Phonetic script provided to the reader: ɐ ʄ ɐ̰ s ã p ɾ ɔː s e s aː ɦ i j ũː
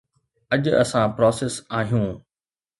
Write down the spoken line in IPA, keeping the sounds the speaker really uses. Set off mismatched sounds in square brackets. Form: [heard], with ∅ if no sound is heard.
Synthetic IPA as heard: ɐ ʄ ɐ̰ s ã p ɾ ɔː s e s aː ɦ i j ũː